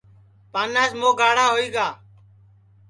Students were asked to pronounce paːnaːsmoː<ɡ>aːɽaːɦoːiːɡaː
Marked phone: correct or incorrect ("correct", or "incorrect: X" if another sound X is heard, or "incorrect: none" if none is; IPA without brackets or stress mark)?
correct